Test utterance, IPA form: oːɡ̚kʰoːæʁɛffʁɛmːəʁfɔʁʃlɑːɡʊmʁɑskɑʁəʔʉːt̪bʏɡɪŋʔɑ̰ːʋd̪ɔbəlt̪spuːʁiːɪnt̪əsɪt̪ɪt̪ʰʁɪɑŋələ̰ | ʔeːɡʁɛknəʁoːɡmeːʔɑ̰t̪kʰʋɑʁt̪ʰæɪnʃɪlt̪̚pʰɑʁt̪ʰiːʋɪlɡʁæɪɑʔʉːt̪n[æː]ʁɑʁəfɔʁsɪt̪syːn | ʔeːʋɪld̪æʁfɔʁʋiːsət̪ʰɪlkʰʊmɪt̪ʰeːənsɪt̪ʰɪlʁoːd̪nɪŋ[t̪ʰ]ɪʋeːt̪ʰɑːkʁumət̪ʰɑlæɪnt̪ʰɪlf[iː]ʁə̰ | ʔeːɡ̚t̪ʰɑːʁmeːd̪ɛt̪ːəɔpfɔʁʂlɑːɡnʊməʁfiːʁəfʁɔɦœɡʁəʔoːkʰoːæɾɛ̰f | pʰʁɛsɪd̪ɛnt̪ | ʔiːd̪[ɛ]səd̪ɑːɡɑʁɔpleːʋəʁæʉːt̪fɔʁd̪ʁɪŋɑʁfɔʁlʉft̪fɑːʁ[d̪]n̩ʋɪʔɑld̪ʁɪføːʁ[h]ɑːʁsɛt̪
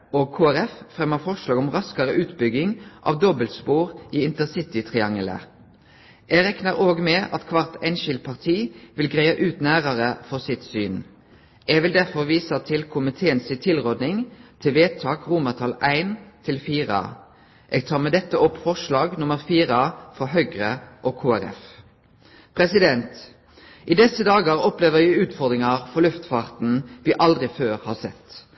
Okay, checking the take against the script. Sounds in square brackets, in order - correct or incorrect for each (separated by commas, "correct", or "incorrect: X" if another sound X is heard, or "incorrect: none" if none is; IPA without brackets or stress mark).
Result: correct, correct, correct, correct, incorrect: t̪, correct